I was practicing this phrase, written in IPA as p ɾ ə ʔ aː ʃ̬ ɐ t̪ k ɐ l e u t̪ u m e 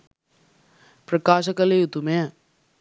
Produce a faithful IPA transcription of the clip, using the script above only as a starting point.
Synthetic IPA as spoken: p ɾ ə k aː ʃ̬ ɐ k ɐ l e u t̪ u m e